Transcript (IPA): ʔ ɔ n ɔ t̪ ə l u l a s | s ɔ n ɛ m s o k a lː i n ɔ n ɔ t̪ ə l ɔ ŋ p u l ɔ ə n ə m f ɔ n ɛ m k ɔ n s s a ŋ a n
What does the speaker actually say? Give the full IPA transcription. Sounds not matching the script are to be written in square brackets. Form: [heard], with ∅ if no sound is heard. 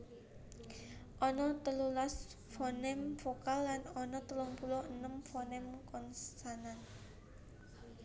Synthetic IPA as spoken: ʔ ɔ n ɔ t̪ ə l u l a s | [f] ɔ n ɛ m [f] o k a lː [a] n ɔ n ɔ t̪ ə l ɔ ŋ p u l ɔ ə n ə m f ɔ n ɛ m k ɔ n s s a [n] a n

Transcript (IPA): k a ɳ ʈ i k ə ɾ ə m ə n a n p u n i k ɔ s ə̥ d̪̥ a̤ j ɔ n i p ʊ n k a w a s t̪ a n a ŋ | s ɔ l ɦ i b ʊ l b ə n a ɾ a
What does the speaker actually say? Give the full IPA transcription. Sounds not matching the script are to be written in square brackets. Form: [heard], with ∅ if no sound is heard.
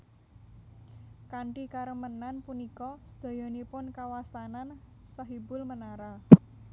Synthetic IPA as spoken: k a ɳ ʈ i k [a] ɾ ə m ə n a n p u n i k ɔ s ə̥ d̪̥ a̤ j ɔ n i p ʊ n k a w a s t̪ a n a [n] | s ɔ [∅] ɦ i b ʊ l [m] ə n a ɾ a

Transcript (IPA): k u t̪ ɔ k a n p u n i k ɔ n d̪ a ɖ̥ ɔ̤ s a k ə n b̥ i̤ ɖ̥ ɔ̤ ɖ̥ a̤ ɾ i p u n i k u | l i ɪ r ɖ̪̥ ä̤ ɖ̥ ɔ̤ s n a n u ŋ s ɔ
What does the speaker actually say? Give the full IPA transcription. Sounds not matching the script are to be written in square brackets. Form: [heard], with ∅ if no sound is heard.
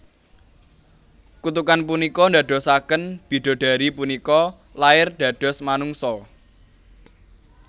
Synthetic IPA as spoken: k u t̪ [u] k a n p u n i k ɔ n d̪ a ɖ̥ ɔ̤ s a k ə n b̥ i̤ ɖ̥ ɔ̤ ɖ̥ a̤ ɾ i p u n i k [ɔ] | l [a] ɪ r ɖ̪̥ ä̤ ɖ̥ ɔ̤ s [m] a n u ŋ s ɔ

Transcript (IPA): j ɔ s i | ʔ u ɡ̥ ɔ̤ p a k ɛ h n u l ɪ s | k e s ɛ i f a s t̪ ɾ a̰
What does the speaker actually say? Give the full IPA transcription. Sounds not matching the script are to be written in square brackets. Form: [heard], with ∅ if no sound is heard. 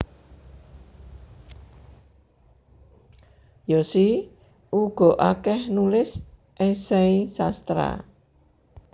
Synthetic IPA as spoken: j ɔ s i | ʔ u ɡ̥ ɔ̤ [ʔ] a k ɛ h n u l ɪ s | [ʔ] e s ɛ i [s] a s t̪ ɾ a̰

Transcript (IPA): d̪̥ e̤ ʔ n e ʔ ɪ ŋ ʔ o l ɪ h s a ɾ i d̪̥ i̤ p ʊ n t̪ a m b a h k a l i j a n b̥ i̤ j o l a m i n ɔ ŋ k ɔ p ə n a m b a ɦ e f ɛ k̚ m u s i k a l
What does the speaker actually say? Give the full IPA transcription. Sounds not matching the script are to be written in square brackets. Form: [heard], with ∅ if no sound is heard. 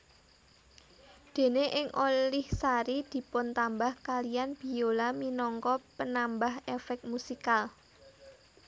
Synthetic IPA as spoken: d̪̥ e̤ [∅] n e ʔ ɪ ŋ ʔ o l ɪ h s a ɾ i d̪̥ i̤ p ʊ n t̪ a m b a h k a l i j a n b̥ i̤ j o l a m i n ɔ ŋ k ɔ p ə n a m b a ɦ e f ɛ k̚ m u s i k a l

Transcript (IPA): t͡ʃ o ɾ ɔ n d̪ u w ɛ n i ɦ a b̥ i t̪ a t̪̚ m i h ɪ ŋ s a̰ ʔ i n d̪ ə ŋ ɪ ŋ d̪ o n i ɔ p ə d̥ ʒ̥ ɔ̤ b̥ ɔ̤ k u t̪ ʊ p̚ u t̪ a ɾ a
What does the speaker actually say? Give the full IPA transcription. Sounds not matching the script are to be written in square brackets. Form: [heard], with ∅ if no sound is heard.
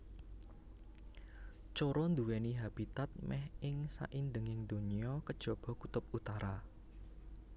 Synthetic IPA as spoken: t͡ʃ o ɾ ɔ n d̪ u w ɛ n i ɦ a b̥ i t̪ a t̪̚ m [ɛ] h ɪ ŋ s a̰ ʔ i n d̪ ə ŋ ɪ ŋ d̪ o n i ɔ [k] ə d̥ ʒ̥ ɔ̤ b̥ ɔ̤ k u t̪ ʊ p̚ u t̪ a ɾ a

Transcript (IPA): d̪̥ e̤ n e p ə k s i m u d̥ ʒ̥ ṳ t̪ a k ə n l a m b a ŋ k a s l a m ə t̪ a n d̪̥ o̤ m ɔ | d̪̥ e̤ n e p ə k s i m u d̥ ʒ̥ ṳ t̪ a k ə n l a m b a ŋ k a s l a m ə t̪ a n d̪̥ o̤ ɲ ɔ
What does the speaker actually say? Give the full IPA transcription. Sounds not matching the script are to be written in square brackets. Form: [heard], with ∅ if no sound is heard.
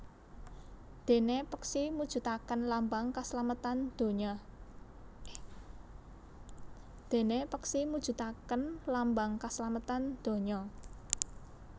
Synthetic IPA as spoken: d̪̥ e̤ n e p ə k s i m u d̥ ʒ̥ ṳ t̪ a k ə n l a m b a ŋ k a s l a m ə t̪ a n d̪̥ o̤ [ɲ] ɔ | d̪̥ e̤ n e p ə k s i m u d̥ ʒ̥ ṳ t̪ a k ə n l a m b a ŋ k a s l a m ə t̪ a n d̪̥ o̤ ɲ ɔ

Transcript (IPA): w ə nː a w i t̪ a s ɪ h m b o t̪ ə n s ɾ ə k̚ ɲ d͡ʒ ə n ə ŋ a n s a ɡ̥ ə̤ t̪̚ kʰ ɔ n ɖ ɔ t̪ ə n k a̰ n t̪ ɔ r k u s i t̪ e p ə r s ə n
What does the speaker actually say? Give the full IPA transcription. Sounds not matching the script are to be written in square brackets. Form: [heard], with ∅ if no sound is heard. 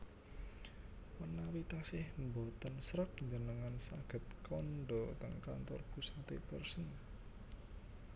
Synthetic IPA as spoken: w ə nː a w i t̪ a s ɪ h m b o t̪ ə n s ɾ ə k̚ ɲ d͡ʒ ə n ə ŋ a n s a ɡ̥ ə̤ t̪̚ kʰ ɔ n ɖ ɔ t̪ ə [ŋ] k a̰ n t̪ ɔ r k u s [a] t̪ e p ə r s ə n

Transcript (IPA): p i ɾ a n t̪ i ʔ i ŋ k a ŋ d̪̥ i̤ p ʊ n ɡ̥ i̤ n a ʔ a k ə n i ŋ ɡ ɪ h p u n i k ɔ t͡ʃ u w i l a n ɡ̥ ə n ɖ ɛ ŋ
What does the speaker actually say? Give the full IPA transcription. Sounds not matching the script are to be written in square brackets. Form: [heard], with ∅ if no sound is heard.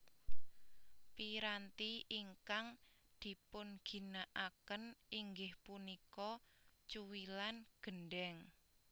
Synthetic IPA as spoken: p i ɾ a n t̪ i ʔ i ŋ k a ŋ d̪̥ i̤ p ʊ n ɡ̥ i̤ n a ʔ a k ə n i ŋ ɡ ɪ h p u n i k ɔ t͡ʃ u w i l a n ɡ̥ ə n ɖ ɛ ŋ

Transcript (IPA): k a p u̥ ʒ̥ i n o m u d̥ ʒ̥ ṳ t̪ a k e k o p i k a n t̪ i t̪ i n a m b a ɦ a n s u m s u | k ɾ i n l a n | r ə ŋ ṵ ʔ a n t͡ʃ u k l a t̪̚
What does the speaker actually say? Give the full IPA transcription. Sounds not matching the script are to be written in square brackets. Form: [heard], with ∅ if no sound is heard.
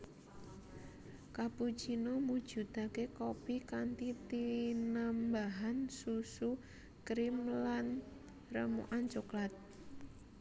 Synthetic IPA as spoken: k a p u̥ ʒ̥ i n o m u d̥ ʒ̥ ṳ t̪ a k e k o p i k a n t̪ i t̪ i n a m b a ɦ a n s u [∅] s u | k ɾ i [m] l a n | r ə [m] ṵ ʔ a n t͡ʃ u k l a t̪̚

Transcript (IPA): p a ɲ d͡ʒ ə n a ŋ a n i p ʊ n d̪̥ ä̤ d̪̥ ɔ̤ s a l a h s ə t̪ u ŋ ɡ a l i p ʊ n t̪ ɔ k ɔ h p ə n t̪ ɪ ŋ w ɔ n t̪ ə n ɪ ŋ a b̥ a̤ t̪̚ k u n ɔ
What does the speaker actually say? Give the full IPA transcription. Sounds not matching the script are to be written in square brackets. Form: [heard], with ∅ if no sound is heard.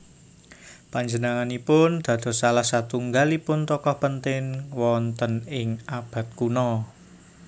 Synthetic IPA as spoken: p a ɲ d͡ʒ ə n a ŋ a n i p ʊ n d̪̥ ä̤ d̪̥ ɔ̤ s a l a h s [a] t̪ u ŋ ɡ a l i p ʊ n t̪ ɔ k ɔ h p ə n t̪ ɪ ŋ w ɔ n t̪ ə n ɪ ŋ a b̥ a̤ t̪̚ k u n ɔ

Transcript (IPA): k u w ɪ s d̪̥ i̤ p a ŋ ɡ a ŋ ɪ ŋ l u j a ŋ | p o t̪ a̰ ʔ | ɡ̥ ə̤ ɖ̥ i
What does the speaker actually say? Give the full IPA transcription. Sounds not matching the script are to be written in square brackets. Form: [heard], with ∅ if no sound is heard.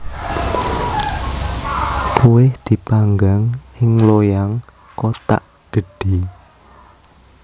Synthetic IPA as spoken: k u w ɪ [h] d̪̥ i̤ p a ŋ ɡ a ŋ ɪ ŋ l [o] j a ŋ | [k] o t̪ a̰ ʔ | ɡ̥ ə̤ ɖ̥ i

